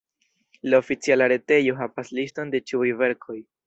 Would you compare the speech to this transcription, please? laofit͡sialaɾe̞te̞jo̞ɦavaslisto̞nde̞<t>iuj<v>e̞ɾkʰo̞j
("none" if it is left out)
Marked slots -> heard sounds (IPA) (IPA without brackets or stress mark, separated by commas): t͡ʃ, v